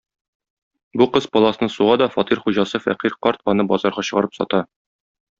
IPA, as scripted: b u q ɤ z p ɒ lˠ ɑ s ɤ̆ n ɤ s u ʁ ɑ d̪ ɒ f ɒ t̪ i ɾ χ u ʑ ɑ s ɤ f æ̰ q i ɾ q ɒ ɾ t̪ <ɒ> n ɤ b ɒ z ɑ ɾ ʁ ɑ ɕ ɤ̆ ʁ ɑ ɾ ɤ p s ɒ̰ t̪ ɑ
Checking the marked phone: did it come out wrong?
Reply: no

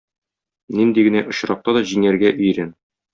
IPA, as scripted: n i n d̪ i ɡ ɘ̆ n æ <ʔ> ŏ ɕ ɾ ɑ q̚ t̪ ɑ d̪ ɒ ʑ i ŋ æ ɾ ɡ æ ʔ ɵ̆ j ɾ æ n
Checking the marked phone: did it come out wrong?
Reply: no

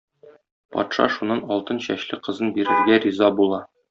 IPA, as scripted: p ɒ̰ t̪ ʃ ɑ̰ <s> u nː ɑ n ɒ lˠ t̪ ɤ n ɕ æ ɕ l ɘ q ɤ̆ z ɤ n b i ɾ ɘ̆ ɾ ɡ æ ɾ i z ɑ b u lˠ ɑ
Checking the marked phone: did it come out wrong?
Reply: yes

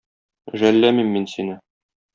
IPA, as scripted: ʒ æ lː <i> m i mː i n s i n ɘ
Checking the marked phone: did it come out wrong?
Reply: yes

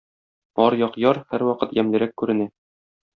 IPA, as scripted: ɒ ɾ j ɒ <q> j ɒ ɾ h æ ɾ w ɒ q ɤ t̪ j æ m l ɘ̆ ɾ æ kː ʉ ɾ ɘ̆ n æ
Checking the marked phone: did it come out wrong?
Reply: no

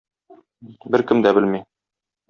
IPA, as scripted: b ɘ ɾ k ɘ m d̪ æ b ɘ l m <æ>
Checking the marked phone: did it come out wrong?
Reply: yes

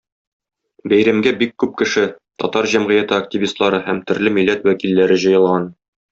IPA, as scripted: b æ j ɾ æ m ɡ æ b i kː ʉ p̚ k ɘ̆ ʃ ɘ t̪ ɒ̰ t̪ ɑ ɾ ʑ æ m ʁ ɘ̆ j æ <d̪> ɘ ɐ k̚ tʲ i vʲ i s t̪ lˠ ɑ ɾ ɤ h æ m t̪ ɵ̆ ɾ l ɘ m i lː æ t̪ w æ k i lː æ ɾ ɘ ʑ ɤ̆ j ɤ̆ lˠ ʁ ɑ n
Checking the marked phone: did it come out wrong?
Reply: yes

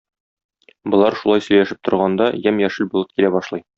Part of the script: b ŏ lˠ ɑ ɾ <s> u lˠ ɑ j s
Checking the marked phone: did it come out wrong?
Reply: yes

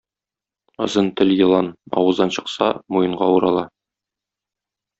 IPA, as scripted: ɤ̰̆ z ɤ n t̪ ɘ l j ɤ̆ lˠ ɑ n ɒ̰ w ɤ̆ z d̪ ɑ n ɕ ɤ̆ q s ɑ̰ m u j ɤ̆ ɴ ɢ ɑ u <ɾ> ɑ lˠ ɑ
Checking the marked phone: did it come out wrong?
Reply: no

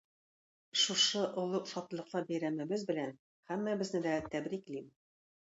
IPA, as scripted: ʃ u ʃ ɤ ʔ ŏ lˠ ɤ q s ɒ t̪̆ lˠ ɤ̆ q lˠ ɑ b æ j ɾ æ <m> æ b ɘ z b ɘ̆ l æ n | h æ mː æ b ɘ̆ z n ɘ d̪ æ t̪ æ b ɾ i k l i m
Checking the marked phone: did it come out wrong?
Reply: no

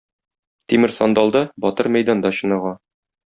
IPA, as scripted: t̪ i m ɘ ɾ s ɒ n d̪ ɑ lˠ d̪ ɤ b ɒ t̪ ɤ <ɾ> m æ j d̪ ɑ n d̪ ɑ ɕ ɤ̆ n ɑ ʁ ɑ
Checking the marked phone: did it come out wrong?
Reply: no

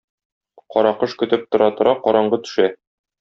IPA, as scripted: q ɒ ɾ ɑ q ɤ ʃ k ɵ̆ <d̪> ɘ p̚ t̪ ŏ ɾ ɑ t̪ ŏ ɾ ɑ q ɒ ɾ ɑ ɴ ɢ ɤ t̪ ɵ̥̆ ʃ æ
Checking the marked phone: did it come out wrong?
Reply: yes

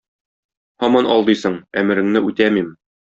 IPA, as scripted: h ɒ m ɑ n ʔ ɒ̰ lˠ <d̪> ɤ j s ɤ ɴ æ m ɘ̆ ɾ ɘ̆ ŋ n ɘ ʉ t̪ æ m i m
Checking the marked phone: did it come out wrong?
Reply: no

